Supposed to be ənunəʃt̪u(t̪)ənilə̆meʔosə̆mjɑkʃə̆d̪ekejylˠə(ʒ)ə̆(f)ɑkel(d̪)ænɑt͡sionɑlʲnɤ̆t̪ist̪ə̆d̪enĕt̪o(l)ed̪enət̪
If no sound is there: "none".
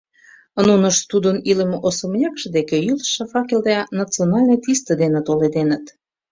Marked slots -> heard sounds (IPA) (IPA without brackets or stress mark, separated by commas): d̪, ʃ, f, d̪, l